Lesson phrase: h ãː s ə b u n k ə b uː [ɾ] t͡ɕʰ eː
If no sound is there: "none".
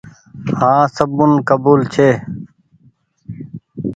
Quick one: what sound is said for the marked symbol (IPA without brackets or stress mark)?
l